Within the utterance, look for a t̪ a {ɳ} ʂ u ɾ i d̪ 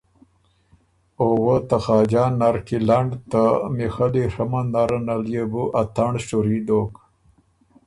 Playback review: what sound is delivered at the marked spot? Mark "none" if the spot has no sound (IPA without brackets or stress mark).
ɳ